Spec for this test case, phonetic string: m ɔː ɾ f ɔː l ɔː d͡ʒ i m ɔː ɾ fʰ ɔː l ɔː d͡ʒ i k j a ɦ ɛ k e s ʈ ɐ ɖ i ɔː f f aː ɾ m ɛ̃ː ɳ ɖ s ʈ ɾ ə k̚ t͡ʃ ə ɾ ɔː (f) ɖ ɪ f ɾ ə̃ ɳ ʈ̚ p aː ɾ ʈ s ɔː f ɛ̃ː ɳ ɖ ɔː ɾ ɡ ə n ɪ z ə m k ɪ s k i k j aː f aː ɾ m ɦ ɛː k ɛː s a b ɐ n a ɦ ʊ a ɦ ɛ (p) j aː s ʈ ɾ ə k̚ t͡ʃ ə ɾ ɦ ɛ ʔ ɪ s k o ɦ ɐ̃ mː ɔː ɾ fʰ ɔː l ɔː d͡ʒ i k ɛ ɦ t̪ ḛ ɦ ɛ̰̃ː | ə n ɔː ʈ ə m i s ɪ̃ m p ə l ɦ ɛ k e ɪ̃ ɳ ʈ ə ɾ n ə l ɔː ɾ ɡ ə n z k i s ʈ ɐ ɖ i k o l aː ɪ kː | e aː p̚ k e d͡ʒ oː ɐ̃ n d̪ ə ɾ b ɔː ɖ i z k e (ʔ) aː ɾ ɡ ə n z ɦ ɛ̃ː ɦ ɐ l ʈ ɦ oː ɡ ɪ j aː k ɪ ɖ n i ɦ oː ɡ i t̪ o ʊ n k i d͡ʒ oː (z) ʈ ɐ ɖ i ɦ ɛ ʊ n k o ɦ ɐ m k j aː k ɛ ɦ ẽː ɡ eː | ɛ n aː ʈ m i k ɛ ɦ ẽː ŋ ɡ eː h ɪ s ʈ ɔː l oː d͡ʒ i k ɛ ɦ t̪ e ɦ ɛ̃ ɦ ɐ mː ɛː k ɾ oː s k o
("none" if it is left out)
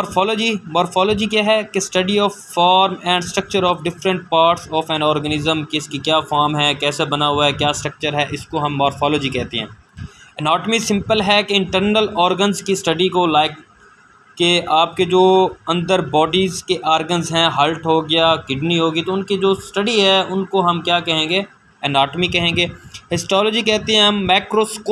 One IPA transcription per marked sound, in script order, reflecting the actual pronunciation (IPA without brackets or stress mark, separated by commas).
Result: f, k, ʔ, s